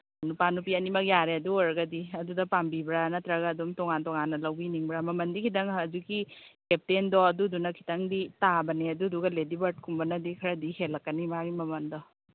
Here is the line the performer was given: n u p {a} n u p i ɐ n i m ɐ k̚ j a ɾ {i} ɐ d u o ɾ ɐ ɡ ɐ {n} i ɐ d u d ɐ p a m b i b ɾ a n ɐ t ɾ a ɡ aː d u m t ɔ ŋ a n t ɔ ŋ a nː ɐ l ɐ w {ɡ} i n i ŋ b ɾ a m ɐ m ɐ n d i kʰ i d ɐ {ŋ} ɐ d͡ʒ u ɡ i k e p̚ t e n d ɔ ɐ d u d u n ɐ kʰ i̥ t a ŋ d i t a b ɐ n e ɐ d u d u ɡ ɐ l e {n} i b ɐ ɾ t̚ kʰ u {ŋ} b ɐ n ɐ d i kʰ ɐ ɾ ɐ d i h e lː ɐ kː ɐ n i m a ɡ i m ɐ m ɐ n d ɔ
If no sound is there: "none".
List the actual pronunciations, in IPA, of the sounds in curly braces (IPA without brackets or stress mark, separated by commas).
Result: a, e, d, b, ŋ, d, m